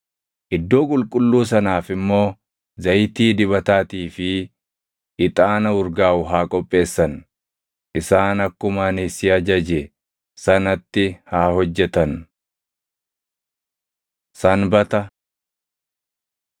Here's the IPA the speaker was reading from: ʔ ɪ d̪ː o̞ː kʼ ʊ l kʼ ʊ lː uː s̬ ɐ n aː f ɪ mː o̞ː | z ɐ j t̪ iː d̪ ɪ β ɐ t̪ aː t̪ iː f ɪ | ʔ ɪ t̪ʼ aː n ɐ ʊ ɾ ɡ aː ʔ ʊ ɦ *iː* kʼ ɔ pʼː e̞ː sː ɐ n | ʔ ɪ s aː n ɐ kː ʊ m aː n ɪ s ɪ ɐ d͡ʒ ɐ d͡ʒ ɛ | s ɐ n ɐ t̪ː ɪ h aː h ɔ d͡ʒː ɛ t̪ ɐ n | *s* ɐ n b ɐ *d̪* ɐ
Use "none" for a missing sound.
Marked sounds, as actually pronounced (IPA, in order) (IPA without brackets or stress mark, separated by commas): aː, s, t̪